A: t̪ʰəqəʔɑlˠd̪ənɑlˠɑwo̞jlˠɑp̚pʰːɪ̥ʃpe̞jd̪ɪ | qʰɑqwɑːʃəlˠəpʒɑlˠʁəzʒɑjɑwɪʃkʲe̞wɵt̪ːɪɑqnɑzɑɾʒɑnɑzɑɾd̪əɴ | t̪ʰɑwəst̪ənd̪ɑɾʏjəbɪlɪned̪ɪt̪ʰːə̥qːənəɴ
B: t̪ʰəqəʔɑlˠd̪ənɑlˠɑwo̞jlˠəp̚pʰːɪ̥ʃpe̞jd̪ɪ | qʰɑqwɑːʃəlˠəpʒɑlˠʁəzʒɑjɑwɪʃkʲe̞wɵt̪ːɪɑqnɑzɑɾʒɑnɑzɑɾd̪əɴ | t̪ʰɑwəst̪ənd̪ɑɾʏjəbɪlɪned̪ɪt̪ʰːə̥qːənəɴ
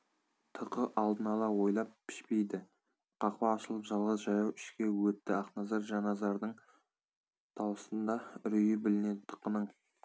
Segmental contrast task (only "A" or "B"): A